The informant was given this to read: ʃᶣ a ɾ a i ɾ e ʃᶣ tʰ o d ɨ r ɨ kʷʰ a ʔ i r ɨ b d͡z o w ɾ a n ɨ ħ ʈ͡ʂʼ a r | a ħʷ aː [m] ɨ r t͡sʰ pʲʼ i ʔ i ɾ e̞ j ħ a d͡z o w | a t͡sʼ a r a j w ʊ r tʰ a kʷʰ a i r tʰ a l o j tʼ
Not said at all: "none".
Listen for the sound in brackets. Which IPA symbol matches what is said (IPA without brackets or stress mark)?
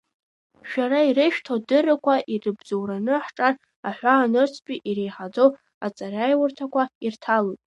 n